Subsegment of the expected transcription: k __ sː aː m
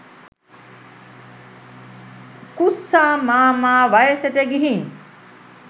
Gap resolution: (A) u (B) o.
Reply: A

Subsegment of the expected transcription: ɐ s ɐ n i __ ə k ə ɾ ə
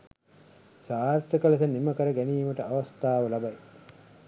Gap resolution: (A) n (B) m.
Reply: B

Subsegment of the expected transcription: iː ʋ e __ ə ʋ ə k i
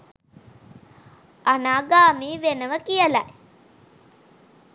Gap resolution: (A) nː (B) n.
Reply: B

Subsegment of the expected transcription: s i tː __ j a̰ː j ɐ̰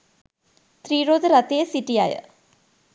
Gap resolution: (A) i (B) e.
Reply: A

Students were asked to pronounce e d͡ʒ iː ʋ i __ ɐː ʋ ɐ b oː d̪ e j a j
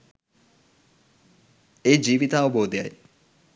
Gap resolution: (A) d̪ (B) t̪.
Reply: B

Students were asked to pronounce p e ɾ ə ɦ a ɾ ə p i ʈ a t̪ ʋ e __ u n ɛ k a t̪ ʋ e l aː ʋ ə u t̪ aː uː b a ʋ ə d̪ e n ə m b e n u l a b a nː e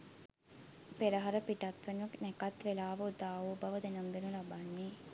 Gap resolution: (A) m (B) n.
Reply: B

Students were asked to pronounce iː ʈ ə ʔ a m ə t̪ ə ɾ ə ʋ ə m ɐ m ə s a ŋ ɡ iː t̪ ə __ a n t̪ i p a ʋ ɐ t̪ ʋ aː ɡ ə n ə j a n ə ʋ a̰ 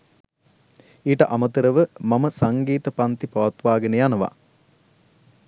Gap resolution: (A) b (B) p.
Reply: B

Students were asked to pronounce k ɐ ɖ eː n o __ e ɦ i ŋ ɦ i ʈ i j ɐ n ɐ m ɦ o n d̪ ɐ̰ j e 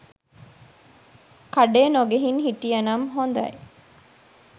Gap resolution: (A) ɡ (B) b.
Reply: A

